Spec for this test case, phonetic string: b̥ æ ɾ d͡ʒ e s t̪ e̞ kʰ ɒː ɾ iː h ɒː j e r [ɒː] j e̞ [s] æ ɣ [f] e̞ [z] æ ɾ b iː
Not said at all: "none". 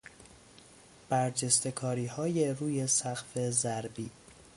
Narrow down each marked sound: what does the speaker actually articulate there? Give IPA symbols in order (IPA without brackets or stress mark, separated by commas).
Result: uː, s, f, z